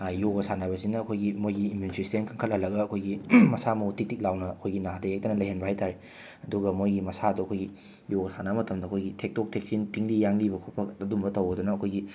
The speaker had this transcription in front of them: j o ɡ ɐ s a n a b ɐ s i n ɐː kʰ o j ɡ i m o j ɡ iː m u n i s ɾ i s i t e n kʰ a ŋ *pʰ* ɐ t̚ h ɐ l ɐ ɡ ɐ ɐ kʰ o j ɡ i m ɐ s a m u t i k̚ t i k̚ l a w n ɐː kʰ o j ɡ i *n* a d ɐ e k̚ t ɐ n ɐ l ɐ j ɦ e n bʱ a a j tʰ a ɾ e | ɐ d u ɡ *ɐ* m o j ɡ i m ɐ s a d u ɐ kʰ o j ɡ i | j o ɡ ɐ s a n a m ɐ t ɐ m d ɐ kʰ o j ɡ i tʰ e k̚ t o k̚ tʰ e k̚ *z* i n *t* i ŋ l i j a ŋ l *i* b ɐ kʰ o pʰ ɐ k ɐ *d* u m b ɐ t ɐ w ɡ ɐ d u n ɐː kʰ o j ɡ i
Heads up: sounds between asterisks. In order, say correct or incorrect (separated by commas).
incorrect, correct, correct, incorrect, correct, correct, correct